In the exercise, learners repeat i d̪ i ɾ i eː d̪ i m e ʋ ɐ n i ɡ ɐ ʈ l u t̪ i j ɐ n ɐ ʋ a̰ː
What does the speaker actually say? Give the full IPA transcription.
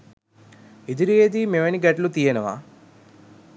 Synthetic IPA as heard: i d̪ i ɾ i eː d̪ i m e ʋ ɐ n i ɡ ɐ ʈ l u t̪ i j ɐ n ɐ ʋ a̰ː